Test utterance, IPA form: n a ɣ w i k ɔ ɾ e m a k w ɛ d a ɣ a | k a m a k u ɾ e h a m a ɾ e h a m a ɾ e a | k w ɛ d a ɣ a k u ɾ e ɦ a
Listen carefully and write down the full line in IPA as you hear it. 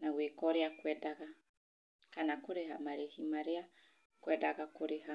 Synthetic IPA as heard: n a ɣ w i k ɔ ɾ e a k w ɛ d a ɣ a | k a n a k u ɾ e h a m a ɾ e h i m a ɾ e a | k w ɛ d a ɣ a k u ɾ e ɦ a